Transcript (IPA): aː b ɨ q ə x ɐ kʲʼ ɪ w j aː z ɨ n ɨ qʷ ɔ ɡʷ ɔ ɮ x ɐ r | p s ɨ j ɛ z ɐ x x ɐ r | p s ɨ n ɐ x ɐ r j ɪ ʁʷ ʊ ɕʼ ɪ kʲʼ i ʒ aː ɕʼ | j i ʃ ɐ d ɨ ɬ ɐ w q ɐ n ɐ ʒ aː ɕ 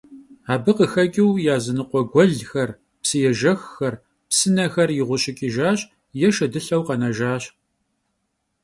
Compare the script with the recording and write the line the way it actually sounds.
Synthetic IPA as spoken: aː b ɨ q ə x ɐ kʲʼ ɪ w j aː z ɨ n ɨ qʷ ɔ ɡʷ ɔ ɮ x ɐ r | p s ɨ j ɛ ʒ ɐ x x ɐ r | p s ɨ n ɐ x ɐ r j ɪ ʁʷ ʊ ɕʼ ɪ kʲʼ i ʒ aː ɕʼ | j ɛ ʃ ɐ d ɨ ɬ ɐ w q ɐ n ɐ ʒ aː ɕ